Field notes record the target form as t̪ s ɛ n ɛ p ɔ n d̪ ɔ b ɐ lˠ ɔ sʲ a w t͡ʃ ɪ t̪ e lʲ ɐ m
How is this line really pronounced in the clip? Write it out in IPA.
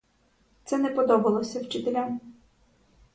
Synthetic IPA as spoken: t̪ s ɛ n ɛ p ɔ d̪ ɔ b ɐ lˠ ɔ sʲ ɐ w t͡ʃ ɪ t̪ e lʲ a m